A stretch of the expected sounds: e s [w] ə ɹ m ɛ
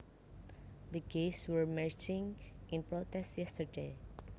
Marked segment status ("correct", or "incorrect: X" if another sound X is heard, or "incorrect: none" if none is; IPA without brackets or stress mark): correct